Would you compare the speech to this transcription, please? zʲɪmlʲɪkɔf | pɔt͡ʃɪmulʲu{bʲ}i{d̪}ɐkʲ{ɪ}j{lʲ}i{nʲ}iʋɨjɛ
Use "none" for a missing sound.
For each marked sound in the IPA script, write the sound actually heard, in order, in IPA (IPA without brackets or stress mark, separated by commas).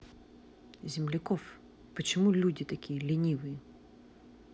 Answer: dʲ, t̪, i, lʲ, nʲ